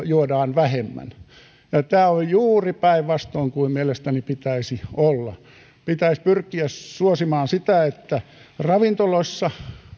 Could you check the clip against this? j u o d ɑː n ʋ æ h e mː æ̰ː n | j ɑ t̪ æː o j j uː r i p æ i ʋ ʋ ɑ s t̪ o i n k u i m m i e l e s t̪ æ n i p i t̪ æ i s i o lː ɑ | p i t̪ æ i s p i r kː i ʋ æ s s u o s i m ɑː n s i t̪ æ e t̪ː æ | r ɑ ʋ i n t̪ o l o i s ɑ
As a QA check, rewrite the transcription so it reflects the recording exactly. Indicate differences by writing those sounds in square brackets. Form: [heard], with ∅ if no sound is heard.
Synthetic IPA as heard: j u o d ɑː n ʋ æ h e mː [æ̰] n | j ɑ t̪ æː o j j uː r i p æ i ʋ ʋ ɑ s t̪ o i [ŋ] k u i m m i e l e s t̪ æ n i p i t̪ æ i s i o lː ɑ | p i t̪ æ i s p [y] r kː i [∅] æ s s u o s i m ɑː n s i t̪ æ e t̪ː æ | r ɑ ʋ i n t̪ o l o i [sː] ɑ